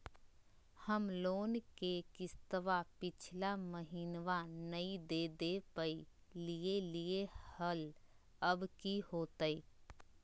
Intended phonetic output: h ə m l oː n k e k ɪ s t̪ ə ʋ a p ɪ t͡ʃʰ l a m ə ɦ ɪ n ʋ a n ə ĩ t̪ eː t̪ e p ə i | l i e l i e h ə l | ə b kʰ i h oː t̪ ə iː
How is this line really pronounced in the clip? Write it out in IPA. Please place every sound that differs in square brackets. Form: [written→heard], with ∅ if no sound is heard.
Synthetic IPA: h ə m l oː n k e k ɪ s t̪ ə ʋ a p ɪ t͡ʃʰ l a m ə ɦ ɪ n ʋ a n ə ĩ [t̪→d̪] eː [t̪→d̪] e p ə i | l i e l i e h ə l | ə b [kʰ→k] i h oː t̪ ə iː